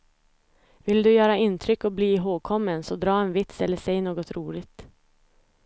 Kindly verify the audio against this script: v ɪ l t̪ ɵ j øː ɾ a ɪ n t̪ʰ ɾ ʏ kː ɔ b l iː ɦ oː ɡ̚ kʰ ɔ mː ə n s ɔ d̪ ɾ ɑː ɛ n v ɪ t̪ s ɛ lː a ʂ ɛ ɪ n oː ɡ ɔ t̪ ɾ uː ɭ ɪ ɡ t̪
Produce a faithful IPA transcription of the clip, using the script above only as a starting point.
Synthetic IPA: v ɪ l d̪ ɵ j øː ɾ a ɪ n t̪ʰ ɾ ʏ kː ɔ b l iː ɦ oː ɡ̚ kʰ ɔ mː ə n s ɔ d̪ ɾ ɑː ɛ n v ɪ t̪ s ɛ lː ə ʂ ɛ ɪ n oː ɡ ɔ t̪ ɾ uː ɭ ɪ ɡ t̪